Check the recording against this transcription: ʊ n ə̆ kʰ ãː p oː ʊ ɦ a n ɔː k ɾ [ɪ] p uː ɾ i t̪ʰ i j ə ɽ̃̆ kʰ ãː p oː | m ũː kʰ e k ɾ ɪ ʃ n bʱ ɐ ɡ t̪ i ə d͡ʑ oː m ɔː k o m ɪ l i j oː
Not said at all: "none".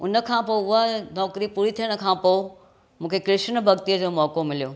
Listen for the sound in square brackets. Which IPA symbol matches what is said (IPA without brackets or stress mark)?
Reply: i